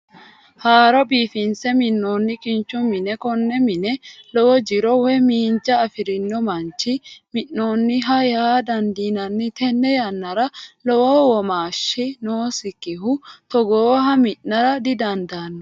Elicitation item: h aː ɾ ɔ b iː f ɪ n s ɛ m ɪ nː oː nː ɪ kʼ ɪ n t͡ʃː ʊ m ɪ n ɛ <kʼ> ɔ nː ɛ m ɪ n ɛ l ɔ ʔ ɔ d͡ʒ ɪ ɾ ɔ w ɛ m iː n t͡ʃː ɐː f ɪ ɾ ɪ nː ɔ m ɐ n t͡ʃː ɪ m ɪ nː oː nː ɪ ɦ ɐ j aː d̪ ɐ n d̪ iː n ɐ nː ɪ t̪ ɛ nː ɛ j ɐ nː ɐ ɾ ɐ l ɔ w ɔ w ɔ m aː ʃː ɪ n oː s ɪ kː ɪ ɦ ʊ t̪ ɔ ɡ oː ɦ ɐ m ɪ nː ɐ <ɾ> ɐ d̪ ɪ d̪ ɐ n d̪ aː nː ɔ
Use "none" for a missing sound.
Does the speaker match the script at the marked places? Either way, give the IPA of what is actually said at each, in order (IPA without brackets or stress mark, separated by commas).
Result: k, ɾ